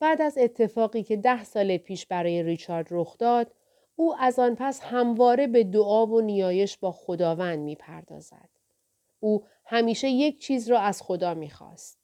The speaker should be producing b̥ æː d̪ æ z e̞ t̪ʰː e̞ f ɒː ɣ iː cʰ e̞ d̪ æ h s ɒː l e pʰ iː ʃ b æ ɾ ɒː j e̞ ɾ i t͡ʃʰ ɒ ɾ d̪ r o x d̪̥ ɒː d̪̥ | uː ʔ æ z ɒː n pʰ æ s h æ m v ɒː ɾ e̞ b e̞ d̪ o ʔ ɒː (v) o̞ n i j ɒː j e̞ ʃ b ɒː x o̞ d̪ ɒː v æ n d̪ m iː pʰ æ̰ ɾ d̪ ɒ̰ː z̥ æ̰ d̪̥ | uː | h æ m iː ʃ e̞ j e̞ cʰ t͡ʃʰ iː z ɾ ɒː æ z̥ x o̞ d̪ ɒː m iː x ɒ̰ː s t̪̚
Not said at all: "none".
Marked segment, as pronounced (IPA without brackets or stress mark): v